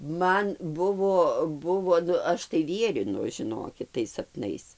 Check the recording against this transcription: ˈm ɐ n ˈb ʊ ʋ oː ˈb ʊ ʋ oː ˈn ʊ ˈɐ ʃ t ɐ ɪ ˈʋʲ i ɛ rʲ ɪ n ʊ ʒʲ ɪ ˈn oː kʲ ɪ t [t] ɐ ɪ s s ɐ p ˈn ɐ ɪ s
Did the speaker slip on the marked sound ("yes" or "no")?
no